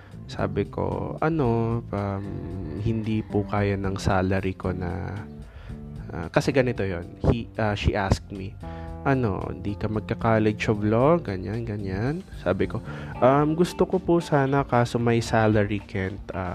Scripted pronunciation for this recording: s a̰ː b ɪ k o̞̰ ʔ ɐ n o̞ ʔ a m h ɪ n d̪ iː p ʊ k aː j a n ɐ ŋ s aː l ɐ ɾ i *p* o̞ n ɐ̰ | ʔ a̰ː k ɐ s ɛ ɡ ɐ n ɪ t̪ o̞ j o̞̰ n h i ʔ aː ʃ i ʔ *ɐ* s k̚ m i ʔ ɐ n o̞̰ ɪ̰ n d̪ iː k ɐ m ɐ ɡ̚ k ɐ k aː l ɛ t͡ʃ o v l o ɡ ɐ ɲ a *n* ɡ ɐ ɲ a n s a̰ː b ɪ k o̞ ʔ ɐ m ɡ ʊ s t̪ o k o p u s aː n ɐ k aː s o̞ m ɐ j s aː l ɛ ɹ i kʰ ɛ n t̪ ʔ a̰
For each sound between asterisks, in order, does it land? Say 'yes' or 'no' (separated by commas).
no, no, yes